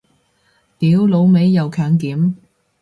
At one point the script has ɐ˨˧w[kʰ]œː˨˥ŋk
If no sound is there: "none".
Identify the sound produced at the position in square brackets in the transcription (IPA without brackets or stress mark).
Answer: kʰ